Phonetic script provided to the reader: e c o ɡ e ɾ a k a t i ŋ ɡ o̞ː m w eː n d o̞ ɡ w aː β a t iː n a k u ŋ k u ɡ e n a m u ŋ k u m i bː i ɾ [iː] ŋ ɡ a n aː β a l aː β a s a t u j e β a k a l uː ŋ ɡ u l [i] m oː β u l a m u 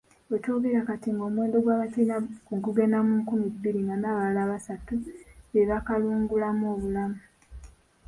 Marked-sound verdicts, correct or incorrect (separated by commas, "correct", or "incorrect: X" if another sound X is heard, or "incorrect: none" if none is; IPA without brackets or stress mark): incorrect: i, incorrect: a